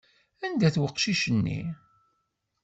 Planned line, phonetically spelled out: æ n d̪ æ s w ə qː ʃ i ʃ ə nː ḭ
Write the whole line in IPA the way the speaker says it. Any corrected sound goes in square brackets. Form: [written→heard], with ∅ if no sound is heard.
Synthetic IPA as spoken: æ n d̪ æ [s→θ] w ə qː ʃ i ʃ ə nː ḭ